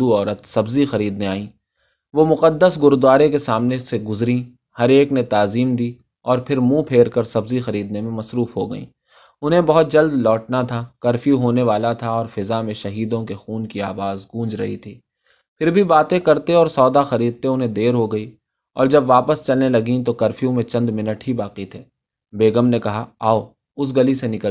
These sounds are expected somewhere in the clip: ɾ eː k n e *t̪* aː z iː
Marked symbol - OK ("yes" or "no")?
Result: yes